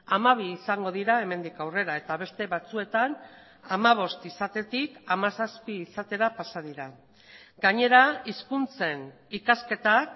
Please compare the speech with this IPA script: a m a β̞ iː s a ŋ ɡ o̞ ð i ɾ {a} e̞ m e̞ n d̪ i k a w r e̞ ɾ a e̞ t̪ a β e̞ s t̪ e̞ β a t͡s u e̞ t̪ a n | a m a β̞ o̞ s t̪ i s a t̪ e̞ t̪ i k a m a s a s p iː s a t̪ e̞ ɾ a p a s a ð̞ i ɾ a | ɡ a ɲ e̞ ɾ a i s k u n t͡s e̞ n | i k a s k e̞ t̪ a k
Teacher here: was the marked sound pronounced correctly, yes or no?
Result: yes